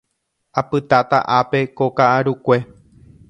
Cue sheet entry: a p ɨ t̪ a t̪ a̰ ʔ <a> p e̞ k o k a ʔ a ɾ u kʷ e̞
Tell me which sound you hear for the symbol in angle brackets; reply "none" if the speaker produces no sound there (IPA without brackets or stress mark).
a